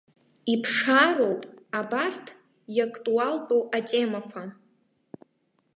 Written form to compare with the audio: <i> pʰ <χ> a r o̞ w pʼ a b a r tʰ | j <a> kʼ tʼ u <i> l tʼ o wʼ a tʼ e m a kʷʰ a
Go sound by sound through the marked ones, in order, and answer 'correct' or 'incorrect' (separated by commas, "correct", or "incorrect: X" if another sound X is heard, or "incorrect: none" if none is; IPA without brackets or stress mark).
correct, incorrect: ʂ, correct, incorrect: a